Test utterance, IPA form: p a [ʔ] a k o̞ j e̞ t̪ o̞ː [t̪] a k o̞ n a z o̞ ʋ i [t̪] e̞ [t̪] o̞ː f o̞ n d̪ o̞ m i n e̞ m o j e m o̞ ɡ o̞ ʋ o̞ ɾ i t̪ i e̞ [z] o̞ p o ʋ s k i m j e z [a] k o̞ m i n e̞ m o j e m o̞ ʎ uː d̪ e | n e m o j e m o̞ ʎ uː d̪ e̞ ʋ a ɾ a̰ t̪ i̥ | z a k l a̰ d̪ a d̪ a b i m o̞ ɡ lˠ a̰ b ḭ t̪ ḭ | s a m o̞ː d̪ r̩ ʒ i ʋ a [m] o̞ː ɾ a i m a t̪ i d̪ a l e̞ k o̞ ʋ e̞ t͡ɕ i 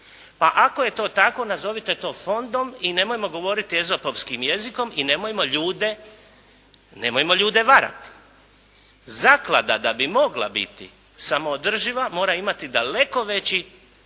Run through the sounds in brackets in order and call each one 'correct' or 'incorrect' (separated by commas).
correct, correct, correct, correct, correct, incorrect, correct